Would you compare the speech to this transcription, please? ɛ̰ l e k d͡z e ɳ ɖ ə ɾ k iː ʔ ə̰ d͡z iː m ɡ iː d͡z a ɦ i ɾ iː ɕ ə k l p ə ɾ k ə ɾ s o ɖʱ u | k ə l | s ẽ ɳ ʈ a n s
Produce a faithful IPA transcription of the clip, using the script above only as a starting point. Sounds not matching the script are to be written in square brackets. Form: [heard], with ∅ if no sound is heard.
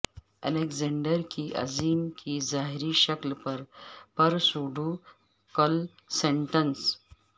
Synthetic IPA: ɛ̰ l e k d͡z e ɳ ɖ ə ɾ k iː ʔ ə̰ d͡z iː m [k] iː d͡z a ɦ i ɾ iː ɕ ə k l p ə ɾ [p] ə ɾ s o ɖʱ u | k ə l | s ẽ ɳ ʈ [ə] n s